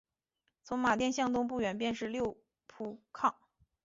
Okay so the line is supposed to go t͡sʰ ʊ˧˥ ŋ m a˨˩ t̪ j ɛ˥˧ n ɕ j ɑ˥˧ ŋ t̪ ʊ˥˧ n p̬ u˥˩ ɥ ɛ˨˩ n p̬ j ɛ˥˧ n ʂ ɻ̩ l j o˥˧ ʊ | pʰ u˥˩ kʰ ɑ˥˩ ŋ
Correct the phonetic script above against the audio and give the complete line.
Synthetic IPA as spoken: t͡sʰ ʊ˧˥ ŋ m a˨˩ t̪ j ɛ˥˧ n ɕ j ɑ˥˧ ŋ t̪ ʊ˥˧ ŋ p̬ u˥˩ ɥ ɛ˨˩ n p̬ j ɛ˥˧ n ʂ ɻ̩ l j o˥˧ ʊ | pʰ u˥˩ kʰ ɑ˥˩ ŋ